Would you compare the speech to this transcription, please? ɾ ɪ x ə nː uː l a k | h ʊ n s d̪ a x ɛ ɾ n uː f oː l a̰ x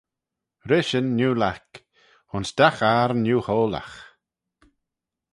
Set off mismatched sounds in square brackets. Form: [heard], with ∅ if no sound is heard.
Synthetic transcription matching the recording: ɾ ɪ [ʃ] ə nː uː l a k | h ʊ n s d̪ a x [a] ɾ n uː [h] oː l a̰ x